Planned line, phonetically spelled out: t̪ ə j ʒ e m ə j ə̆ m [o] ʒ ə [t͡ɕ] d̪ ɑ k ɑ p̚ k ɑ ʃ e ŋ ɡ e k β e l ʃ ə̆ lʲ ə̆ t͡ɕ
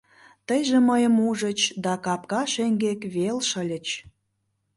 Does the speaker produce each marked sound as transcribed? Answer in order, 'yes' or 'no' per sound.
no, yes

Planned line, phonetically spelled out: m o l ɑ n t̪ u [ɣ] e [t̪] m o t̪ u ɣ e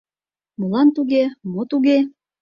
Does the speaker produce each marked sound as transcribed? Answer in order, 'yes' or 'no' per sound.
yes, no

